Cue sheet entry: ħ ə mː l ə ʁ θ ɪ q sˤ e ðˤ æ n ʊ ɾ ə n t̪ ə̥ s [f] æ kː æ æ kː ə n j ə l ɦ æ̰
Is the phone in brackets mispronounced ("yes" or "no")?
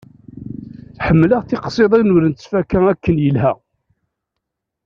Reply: no